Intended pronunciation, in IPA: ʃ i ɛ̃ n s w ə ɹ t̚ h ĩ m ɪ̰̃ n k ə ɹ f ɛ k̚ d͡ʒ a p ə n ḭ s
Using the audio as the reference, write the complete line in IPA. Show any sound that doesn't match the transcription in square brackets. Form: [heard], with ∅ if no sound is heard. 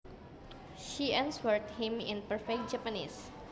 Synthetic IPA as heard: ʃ i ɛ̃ n s w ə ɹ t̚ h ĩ m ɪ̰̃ n [p] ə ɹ f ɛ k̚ d͡ʒ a p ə n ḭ s